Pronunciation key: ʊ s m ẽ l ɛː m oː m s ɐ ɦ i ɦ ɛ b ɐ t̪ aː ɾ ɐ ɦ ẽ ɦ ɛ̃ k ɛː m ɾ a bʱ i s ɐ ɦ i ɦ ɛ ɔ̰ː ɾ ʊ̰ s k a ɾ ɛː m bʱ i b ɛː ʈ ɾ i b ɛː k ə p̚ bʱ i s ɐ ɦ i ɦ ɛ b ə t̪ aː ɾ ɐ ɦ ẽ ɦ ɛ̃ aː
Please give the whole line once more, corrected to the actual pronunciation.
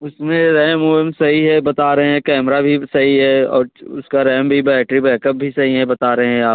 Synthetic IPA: ʊ s m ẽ ɾ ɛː m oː m s ɐ ɦ i ɦ ɛ b ɐ t̪ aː ɾ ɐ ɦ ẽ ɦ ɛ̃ k ɛː m ɾ a bʱ i s ɐ ɦ i ɦ ɛ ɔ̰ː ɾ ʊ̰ s k a ɾ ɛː m bʱ i b ɛː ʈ ɾ i b ɛː k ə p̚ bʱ i s ɐ ɦ i ɦ ɛ b ɐ t̪ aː ɾ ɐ ɦ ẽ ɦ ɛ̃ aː

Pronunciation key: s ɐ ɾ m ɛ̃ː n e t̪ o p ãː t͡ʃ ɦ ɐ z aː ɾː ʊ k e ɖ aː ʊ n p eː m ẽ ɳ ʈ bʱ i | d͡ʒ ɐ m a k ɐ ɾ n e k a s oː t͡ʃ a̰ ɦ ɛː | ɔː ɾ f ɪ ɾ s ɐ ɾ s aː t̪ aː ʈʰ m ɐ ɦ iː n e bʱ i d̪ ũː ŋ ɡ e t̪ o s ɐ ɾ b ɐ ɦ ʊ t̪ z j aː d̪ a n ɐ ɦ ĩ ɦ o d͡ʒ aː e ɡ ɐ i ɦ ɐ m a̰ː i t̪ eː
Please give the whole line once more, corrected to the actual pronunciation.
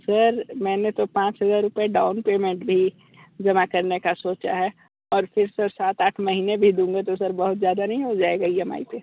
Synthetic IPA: s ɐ ɾ m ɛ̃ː n e t̪ o p ãː t͡ʃ ɦ ɐ z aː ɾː ʊ p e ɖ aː ʊ n p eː m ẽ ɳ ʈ bʱ i | d͡ʒ ɐ m a k ɐ ɾ n e k a s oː t͡ʃ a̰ ɦ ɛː | ɔː ɾ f ɪ ɾ s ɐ ɾ s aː t̪ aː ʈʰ m ɐ ɦ iː n e bʱ i d̪ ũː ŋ ɡ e t̪ o s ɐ ɾ b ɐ ɦ ʊ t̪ z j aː d̪ a n ɐ ɦ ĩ ɦ o d͡ʒ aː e ɡ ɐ i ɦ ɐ m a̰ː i t̪ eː

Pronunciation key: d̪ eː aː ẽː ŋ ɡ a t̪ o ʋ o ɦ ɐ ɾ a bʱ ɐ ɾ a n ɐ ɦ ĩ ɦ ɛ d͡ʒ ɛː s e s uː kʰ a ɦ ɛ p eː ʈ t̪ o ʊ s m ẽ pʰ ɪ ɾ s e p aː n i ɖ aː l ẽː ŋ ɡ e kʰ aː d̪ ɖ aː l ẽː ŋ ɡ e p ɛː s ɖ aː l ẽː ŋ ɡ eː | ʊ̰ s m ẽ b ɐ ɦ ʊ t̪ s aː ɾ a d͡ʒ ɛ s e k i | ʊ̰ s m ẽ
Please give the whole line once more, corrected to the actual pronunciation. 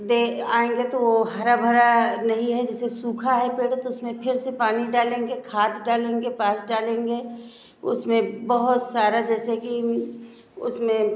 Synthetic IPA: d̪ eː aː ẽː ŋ ɡ e t̪ o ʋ o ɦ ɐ ɾ a bʱ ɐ ɾ a n ɐ ɦ ĩ ɦ ɛ d͡ʒ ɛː s e s uː kʰ a ɦ ɛ p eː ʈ t̪ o ʊ s m ẽ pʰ ɪ ɾ s e p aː n i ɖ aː l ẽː ŋ ɡ e kʰ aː t̪ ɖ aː l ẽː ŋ ɡ e p aː s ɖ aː l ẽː ŋ ɡ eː | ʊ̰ s m ẽ b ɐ ɦ ʊ t̪ s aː ɾ a d͡ʒ ɛː s e k i | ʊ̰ s m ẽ

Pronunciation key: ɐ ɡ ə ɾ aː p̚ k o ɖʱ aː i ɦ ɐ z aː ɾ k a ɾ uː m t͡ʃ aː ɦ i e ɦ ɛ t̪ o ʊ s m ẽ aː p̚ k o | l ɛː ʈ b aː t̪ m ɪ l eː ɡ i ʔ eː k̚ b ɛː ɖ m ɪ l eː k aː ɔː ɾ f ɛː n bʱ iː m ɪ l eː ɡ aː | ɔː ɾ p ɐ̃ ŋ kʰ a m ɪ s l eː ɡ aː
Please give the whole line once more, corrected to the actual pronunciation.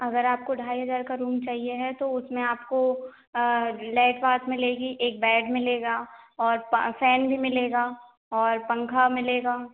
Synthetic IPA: ɐ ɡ ə ɾ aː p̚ k o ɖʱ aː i ɦ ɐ z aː ɾ k a ɾ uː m t͡ʃ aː ɦ i e ɦ ɛ t̪ o ʊ s m ẽ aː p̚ k o | l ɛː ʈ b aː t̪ m ɪ l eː ɡ i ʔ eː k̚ b ɛː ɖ m ɪ l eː ɡ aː ɔː ɾ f ɛː n bʱ i m ɪ l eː ɡ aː | ɔː ɾ p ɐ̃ ŋ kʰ a m ɪ l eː ɡ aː

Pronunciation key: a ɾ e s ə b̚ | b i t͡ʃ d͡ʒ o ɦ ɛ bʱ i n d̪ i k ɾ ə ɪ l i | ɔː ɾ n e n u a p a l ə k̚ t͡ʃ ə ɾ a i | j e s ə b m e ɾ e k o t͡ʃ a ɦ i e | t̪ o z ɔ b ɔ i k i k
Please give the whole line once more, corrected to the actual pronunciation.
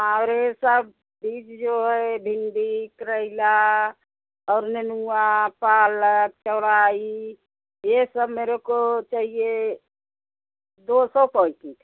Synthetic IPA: a ɾ e s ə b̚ | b i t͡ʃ d͡ʒ o ɦ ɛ bʱ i n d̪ i k ɾ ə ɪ l a | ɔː ɾ n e n u a p a l ə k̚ t͡ʃ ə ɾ a i | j e s ə b m e ɾ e k o t͡ʃ a ɦ i e | d̪ o s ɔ p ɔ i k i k

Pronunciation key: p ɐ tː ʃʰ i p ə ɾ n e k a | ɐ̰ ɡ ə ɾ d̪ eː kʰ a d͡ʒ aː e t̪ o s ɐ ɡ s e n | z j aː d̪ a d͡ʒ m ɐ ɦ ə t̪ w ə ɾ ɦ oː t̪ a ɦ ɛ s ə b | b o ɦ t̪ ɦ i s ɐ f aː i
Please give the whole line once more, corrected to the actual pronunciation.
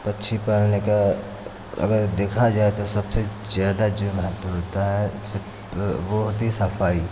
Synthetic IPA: p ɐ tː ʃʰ i p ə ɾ n e k a | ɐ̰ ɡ ə ɾ d̪ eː kʰ a d͡ʒ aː e t̪ o s ɐ b s e | z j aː d̪ a d͡ʒ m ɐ ɦ ə t̪ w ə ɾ ɦ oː t̪ a ɦ ɛ s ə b | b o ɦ t̪ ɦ i s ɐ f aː i

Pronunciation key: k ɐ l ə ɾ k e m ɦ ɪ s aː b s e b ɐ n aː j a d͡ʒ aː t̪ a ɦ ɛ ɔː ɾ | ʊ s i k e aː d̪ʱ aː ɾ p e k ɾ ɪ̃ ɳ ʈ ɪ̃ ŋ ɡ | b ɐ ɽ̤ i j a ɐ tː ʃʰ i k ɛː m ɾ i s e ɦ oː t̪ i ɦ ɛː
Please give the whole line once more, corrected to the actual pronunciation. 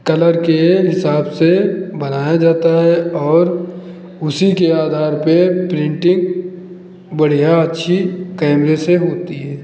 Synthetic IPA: k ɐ l ə ɾ k e ɦ ɪ s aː b s e b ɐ n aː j a d͡ʒ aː t̪ a ɦ ɛ ɔː ɾ | ʊ s i k e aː d̪ʱ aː ɾ p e p ɾ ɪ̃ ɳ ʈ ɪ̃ ŋ ɡ | b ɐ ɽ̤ i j a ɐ tː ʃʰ i k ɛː m ɾ e s e ɦ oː t̪ i ɦ ɛː

